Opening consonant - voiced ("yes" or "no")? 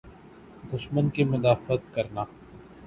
yes